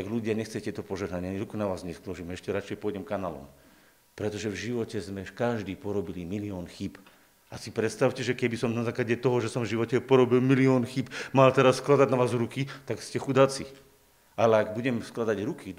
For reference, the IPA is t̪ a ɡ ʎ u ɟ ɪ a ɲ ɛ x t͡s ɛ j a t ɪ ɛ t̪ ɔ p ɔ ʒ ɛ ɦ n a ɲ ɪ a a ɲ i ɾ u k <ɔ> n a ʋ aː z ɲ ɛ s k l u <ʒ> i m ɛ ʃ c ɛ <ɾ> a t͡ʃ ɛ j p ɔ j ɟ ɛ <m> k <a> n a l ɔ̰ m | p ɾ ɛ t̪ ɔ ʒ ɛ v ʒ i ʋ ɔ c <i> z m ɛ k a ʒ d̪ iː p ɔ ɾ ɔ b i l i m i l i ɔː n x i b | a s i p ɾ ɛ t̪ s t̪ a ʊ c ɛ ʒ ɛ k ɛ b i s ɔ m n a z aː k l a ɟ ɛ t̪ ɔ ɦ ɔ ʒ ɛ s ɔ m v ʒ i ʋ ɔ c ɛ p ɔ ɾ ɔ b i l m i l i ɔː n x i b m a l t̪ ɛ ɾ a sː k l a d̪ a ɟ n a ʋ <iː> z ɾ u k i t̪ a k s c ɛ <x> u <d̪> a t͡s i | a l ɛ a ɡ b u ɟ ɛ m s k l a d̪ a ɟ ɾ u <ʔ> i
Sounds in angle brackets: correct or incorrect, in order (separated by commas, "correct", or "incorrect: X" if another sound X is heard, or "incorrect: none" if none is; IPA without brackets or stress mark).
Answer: incorrect: u, correct, correct, correct, correct, incorrect: ɛ, incorrect: aː, correct, correct, incorrect: k